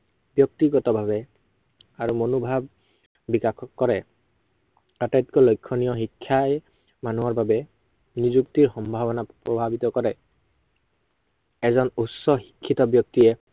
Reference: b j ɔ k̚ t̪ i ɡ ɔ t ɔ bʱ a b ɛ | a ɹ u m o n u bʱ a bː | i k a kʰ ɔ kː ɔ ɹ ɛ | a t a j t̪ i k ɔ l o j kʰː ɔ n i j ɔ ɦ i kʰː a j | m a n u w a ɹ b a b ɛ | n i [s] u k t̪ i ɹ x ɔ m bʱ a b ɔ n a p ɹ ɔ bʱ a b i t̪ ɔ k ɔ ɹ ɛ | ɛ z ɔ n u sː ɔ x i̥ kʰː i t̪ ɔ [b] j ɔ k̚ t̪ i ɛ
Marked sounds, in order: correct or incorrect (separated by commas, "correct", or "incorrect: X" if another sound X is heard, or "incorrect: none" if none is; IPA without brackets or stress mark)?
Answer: incorrect: z, correct